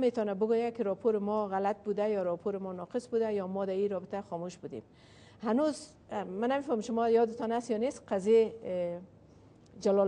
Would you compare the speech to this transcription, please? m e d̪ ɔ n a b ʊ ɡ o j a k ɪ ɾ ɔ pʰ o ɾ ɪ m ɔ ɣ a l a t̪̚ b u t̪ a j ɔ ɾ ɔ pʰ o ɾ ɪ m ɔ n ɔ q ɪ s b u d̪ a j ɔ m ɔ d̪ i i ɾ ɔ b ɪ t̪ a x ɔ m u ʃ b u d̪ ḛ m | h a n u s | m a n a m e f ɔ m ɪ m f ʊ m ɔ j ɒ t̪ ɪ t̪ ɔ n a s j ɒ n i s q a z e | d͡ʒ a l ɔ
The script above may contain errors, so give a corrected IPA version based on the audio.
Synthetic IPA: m e t̪ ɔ n a b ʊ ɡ o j a k ɪ ɾ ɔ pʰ o ɾ ɪ m ɔ ɣ a l a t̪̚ b u d̪ a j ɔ ɾ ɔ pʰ o ɾ ɪ m ɔ n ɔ q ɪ s b u d̪ a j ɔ m ɔ d̪ a i ɾ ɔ b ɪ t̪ a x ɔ m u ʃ b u d̪ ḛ m | h a n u z | m a n a m e f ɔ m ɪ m ʃ ʊ m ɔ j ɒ d̪ ɪ t̪ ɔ n a s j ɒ n e s q a z e | d͡ʒ a l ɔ